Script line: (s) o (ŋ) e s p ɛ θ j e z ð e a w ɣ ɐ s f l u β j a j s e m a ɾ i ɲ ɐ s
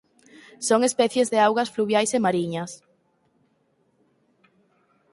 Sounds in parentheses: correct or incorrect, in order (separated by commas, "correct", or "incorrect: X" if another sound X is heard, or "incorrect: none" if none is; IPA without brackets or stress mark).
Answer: correct, correct